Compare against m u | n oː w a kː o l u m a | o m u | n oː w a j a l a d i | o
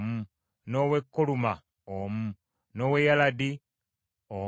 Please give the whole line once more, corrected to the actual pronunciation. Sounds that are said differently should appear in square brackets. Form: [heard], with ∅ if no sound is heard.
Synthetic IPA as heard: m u | n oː w [e] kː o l u m a | o m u | n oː w [e] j a l a d i | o